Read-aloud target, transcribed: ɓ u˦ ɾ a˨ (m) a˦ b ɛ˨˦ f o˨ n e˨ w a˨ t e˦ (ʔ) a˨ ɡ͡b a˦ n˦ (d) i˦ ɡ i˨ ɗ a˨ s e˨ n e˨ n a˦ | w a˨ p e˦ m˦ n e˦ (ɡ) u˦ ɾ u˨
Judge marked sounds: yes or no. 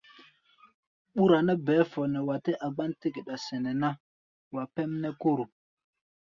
no, yes, no, no

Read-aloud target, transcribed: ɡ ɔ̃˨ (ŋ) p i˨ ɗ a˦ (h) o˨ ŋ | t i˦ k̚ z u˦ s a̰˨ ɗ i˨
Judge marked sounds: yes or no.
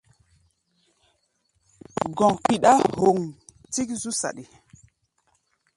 yes, yes

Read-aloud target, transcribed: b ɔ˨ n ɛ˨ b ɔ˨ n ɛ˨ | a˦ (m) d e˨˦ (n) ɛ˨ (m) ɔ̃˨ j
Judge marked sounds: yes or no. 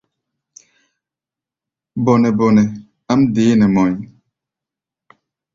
yes, yes, yes

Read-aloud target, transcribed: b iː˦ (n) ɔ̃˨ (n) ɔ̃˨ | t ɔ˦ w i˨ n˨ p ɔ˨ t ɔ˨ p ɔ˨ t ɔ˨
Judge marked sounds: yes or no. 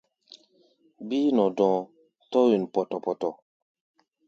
yes, no

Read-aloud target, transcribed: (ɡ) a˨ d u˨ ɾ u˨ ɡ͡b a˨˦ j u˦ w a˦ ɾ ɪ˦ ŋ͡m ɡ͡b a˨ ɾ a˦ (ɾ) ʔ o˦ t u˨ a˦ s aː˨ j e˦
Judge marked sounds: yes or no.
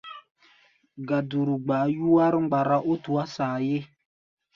yes, no

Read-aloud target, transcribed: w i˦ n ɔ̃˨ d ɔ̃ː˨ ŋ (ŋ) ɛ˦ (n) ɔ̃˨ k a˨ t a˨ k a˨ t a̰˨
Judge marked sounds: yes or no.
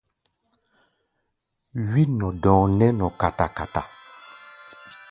no, yes

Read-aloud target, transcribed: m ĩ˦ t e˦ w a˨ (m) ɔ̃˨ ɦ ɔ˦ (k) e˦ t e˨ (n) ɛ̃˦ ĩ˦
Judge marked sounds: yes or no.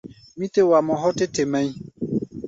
yes, no, no

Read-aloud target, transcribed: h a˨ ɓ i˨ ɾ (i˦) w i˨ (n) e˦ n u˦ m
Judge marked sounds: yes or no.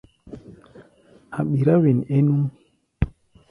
no, yes

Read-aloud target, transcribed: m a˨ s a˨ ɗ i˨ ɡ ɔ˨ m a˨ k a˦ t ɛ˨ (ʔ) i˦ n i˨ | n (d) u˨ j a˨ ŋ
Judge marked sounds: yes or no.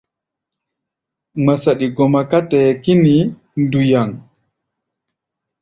no, yes

